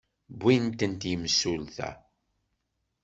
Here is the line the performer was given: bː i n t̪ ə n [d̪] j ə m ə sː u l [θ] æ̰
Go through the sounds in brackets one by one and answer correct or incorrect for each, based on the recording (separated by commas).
incorrect, correct